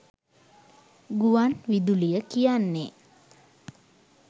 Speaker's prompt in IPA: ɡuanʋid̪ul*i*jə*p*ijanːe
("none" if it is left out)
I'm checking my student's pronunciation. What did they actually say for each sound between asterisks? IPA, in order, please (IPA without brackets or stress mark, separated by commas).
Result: i, k